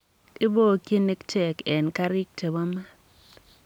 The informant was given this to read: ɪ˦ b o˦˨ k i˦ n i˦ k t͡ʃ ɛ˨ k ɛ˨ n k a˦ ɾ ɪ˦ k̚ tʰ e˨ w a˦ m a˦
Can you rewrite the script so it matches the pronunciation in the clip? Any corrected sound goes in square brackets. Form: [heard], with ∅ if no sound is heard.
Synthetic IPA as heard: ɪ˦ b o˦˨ k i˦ n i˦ k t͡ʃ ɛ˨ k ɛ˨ n k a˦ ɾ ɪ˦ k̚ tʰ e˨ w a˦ m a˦